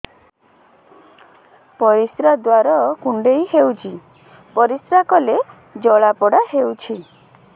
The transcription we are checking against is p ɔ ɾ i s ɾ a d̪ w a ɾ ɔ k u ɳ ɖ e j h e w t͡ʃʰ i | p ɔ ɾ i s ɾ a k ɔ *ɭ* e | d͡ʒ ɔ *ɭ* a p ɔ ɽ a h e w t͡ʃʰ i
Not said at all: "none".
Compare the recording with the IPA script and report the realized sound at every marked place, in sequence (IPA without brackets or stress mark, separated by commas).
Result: l, ɭ